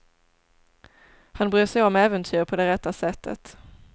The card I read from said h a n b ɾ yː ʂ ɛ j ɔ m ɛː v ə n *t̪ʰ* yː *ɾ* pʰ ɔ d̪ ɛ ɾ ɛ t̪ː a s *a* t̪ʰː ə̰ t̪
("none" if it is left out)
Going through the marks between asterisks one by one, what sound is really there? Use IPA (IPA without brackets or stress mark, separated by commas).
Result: t̪ʰ, ɾ, ɛ